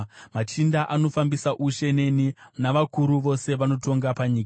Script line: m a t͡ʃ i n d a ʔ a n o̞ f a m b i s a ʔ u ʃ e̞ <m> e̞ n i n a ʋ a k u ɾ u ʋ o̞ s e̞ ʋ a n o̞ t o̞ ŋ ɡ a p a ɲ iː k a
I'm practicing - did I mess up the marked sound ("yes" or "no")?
yes